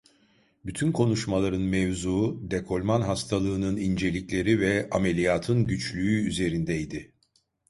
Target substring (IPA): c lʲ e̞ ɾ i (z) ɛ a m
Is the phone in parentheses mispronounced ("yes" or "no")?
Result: yes